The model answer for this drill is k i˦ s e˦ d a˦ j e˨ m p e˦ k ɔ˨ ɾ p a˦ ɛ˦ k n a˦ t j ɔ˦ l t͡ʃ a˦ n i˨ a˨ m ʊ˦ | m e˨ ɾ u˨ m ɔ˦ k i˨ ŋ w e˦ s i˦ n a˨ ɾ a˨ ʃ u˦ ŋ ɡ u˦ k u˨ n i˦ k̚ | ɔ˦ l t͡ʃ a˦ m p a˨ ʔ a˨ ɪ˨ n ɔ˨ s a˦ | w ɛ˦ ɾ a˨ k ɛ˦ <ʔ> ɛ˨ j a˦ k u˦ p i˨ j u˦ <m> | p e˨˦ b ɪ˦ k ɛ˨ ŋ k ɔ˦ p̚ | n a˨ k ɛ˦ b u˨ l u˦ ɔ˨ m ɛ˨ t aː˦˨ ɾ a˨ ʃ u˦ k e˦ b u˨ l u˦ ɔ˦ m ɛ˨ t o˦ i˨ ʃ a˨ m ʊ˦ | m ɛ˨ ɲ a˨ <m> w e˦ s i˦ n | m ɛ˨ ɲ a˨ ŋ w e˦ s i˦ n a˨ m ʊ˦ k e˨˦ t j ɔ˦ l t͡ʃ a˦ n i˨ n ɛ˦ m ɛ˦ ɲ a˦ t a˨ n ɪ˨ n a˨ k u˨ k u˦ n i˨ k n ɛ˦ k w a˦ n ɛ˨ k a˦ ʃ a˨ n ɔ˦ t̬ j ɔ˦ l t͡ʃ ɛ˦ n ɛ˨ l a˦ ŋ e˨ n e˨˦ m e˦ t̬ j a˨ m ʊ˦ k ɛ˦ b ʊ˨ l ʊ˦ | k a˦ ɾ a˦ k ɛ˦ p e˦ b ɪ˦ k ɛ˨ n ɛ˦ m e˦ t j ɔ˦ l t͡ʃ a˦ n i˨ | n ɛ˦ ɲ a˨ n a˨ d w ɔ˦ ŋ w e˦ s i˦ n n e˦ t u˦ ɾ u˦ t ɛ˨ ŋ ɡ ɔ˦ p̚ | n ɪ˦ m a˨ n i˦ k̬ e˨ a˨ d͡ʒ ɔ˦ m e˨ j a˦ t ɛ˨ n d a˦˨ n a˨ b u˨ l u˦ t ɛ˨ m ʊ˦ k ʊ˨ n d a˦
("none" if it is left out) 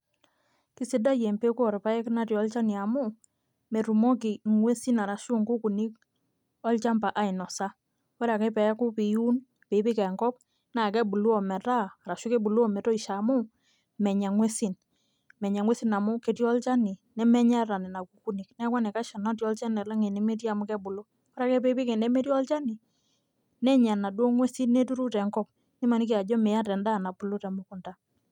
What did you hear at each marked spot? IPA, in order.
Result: p, n, ŋ

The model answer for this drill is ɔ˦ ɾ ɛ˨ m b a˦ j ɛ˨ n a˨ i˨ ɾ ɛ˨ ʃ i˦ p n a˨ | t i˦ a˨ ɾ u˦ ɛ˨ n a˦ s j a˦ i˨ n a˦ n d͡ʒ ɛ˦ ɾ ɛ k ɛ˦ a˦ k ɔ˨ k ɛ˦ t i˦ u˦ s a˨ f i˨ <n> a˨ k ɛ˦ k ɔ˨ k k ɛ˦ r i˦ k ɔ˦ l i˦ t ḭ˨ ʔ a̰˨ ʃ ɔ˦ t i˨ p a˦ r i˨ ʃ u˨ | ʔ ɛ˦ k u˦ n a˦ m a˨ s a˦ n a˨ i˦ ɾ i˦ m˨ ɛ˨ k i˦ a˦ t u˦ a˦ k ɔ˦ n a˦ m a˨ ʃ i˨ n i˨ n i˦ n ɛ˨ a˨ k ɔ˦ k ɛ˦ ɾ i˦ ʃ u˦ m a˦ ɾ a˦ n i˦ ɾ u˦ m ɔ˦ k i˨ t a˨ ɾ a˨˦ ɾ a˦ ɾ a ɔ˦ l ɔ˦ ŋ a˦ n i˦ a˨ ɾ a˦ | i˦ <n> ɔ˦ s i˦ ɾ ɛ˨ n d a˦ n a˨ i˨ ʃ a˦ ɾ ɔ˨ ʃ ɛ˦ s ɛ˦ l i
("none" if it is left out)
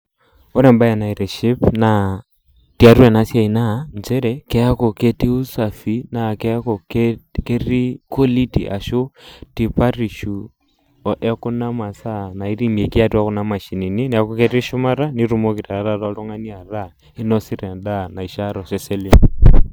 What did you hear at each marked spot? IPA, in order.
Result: n, n

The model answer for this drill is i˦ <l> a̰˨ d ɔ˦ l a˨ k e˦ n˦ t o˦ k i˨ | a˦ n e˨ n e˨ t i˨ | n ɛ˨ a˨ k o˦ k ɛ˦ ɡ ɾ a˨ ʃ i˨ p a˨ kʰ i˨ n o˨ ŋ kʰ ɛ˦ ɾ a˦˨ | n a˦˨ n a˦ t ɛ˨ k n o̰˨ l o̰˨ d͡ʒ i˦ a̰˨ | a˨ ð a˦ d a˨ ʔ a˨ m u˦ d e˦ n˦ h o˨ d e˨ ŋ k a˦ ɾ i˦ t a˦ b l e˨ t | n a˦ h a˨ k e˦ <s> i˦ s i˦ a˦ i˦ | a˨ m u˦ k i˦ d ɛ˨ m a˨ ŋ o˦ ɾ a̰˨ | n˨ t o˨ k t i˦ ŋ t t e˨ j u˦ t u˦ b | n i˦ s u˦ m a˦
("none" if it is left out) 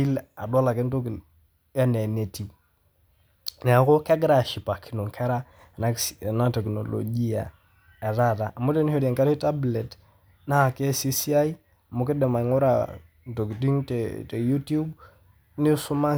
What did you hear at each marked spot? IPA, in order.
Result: l, s

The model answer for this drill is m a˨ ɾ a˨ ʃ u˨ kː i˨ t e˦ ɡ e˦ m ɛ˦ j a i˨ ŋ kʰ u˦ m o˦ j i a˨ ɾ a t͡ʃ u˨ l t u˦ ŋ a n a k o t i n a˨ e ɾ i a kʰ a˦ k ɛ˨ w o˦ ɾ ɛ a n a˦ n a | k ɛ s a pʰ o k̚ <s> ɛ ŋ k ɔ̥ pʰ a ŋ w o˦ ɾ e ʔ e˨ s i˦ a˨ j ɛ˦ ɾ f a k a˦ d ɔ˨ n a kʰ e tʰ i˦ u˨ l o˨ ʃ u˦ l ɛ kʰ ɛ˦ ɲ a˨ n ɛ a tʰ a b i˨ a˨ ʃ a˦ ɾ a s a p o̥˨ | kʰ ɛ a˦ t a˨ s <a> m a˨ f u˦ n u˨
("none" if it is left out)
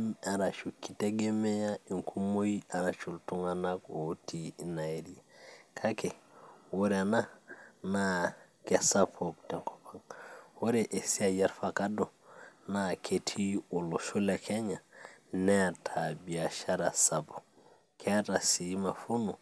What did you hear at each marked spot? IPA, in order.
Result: t, i

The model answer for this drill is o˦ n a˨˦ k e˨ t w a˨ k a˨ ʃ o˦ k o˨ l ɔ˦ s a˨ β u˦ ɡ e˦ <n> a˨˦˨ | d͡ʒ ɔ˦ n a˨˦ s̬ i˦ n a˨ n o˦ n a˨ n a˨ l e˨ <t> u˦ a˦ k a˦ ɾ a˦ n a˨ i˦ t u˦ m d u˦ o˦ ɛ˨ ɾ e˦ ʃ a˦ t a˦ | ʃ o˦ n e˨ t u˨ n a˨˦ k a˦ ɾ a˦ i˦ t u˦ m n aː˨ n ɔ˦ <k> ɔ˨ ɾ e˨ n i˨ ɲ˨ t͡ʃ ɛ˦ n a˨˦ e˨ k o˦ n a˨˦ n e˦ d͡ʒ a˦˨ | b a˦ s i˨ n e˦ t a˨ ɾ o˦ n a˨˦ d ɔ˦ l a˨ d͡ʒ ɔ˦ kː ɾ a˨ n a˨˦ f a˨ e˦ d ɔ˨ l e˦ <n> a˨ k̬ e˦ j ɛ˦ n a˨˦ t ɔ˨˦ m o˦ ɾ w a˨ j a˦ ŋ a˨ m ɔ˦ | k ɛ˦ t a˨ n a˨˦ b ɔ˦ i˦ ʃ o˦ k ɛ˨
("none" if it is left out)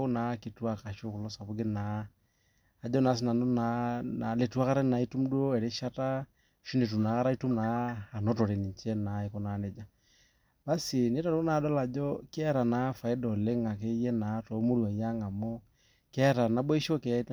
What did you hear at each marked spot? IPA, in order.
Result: n, t, t, ŋ

